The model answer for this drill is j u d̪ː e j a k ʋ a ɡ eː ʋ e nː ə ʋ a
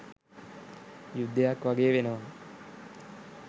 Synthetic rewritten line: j u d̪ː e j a k ʋ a ɡ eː ʋ e n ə ʋ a